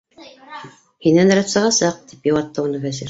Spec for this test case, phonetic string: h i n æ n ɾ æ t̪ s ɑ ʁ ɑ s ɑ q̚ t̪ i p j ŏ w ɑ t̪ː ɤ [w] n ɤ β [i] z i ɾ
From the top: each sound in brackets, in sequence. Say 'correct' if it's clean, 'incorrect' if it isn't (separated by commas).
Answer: incorrect, incorrect